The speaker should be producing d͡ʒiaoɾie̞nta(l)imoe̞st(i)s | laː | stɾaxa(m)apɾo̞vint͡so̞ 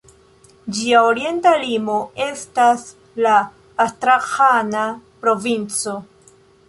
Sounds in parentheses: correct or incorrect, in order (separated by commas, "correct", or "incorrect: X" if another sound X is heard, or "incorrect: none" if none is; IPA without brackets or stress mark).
correct, incorrect: a, incorrect: n